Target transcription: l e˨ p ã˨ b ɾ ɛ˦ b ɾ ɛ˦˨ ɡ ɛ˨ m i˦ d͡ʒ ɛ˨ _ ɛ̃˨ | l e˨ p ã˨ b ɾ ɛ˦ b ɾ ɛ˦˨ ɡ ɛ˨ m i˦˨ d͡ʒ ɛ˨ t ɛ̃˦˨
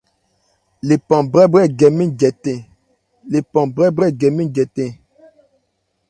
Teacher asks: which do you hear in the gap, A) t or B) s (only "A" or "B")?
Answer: A